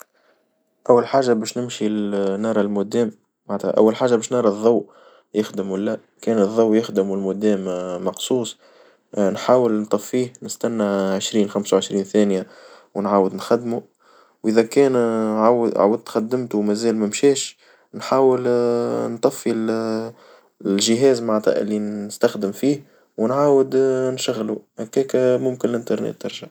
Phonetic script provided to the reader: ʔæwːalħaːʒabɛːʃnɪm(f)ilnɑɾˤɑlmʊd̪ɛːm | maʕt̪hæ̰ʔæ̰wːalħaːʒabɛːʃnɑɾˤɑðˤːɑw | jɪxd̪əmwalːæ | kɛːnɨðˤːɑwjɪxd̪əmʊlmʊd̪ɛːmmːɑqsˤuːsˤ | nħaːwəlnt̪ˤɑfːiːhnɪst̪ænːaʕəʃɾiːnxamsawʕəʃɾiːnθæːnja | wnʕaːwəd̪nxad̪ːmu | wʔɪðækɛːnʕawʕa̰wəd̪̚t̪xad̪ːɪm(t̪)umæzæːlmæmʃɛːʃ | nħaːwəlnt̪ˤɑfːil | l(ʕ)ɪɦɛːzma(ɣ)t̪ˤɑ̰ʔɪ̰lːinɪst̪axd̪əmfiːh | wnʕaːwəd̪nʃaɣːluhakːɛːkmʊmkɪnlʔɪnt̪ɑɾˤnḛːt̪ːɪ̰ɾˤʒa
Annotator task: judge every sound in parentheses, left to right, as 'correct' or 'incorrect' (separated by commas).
incorrect, correct, incorrect, incorrect